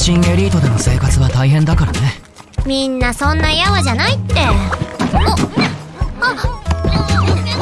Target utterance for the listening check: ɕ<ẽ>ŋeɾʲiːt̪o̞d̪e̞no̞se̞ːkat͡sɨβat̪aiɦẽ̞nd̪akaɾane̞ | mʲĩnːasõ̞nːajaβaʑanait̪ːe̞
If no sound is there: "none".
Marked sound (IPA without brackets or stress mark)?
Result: ĩ